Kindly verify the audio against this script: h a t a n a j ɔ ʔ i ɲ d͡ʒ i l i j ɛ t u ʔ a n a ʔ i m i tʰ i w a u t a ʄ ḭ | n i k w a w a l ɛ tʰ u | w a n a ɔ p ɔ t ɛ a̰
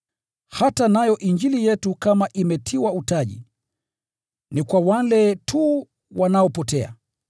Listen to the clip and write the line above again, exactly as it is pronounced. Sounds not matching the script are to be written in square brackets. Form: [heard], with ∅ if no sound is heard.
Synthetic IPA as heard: h a t a n a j ɔ ʔ i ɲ d͡ʒ i l i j ɛ t u [k] a [m] a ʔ i m [ɛ] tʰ i w a u t a ʄ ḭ | n i k w a w a l ɛ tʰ u | w a n a ɔ p ɔ t ɛ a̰